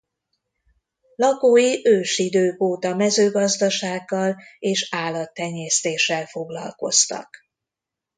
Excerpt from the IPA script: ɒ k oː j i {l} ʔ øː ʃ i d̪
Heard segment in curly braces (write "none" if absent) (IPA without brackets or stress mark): none